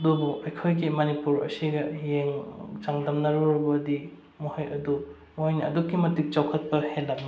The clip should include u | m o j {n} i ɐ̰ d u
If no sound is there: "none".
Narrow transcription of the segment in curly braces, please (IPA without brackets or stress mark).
n